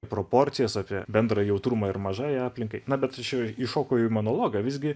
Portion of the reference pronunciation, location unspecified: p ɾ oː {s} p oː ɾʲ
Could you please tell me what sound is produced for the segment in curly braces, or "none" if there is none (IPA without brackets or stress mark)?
none